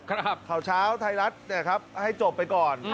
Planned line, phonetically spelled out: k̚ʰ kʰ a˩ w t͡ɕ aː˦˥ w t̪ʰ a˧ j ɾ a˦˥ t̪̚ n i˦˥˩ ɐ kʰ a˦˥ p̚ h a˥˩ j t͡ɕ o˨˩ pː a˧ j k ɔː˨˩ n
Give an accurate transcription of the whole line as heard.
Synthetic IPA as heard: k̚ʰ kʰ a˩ w t͡ɕʰ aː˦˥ w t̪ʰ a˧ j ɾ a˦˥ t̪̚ n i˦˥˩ ɐ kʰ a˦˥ p̚ h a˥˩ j t͡ɕ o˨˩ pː a˧ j k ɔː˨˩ n

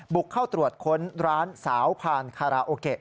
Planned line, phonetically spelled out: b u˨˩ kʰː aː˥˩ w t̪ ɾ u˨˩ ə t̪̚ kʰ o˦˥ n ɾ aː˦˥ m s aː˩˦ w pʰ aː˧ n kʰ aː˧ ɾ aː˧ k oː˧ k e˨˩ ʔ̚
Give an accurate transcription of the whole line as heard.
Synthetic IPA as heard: b u˨˩ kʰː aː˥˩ w t̪ ɾ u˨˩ ə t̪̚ kʰ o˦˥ n ɾ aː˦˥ n s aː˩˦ w pʰ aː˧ n kʰ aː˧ ɾ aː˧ ʔ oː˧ k e˨˩ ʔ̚

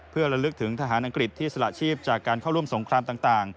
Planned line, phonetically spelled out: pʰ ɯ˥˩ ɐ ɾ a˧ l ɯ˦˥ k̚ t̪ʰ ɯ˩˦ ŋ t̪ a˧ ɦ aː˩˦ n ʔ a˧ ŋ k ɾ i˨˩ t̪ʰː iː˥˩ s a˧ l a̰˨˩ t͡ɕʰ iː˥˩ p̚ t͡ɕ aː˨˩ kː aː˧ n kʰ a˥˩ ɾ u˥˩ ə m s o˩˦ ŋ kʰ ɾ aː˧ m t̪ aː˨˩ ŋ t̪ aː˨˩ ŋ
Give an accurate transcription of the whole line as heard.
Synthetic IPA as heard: pʰ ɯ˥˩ ɐ ɾ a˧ l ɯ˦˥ k̚ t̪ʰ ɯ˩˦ ŋ t̪ʰ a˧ ɦ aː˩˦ n ʔ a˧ ŋ k ɾ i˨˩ t̪ʰː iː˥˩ s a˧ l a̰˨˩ t͡ɕʰ iː˥˩ p̚ t͡ɕ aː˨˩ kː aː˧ n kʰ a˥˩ ɾ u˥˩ ə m s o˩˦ ŋ kʰ ɾ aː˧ m t̪ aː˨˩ ŋ t̪ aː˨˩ ŋ

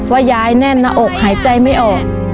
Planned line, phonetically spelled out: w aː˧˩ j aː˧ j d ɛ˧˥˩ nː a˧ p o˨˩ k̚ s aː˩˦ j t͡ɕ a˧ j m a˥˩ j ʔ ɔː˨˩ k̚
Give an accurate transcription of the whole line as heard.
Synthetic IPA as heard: w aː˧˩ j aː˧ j n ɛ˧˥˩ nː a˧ ʔ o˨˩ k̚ h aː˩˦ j t͡ɕ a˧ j m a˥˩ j ʔ ɔː˨˩ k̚

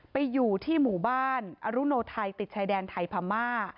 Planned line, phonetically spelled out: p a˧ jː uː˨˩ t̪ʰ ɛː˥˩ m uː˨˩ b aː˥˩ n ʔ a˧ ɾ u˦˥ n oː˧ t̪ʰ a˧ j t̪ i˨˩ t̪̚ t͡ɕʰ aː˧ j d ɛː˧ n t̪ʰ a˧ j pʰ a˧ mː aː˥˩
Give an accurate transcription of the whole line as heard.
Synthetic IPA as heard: p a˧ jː uː˨˩ t̪ʰ iː˥˩ m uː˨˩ b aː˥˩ n ʔ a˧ ɾ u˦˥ n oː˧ t̪ʰ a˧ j t̪ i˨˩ t̪̚ t͡ɕʰ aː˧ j d ɛː˧ n t̪ʰ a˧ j pʰ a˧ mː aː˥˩

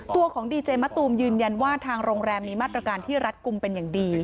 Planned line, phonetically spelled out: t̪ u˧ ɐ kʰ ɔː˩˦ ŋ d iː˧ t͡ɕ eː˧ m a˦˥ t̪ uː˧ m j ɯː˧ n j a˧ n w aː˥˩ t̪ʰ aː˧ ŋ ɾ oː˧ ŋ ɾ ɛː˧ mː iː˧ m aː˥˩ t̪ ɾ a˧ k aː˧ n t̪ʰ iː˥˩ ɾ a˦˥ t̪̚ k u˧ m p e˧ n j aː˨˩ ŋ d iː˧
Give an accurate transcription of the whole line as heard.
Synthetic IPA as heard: t̪ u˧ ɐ kʰ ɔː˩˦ ŋ d iː˧ t͡ɕ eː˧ m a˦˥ t̪ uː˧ m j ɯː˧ n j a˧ n w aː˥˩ t̪ʰ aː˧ ŋ ɾ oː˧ ŋ ɾ ɛː˧ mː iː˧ m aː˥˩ t̪ ɾ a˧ k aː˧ n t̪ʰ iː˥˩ ɾ a˦˥ t̪̚ k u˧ m p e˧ n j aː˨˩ ŋ d iː˧

